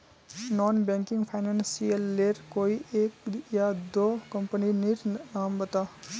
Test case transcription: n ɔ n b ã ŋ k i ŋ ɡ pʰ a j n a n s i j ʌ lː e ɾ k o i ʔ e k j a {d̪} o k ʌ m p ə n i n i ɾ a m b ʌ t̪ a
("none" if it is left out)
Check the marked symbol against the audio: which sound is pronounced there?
d̪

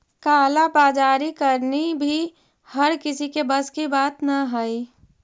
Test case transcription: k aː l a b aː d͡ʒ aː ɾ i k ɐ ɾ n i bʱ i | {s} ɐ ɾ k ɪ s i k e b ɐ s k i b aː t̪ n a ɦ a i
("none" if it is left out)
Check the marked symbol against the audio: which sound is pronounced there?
h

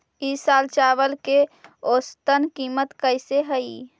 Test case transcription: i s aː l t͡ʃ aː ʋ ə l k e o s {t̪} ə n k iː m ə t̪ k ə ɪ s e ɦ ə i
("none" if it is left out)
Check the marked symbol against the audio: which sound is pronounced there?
t̪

